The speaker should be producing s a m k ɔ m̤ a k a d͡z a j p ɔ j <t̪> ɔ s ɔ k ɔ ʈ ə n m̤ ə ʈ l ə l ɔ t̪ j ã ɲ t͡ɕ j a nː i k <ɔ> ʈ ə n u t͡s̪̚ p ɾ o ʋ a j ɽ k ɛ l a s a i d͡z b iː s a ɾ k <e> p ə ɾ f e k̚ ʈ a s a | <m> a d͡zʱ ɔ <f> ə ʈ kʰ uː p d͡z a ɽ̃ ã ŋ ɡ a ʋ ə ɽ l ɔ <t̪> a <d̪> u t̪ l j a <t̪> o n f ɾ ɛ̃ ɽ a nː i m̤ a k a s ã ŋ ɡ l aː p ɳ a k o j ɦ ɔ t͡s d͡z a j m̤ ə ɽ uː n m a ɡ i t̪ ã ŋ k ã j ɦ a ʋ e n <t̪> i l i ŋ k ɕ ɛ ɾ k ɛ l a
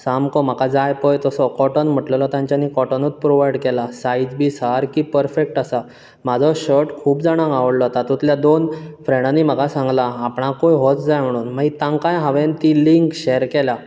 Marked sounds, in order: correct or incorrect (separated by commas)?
correct, correct, incorrect, correct, incorrect, correct, incorrect, incorrect, correct